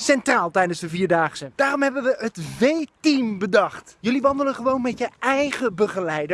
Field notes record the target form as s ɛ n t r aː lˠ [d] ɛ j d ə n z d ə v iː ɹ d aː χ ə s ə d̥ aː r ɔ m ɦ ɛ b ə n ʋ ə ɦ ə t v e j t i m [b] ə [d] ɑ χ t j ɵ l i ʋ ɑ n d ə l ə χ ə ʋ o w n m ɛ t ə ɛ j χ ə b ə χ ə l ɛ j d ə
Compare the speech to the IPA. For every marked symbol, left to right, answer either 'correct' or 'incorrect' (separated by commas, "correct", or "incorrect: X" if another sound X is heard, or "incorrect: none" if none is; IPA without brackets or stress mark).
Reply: incorrect: t, correct, correct